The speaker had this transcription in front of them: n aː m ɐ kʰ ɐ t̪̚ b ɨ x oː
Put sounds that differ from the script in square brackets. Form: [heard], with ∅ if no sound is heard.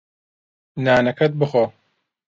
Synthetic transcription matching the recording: n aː [n] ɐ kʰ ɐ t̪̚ b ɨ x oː